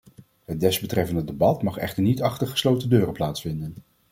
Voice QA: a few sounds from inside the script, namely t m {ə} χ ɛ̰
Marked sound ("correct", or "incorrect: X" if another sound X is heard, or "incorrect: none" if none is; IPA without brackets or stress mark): incorrect: ɑ